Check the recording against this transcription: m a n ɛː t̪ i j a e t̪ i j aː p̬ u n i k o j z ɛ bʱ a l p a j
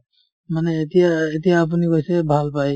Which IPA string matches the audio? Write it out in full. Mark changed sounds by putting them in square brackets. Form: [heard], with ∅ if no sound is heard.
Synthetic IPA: m a n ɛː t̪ i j a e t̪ i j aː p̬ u n i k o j [s] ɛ bʱ a l p a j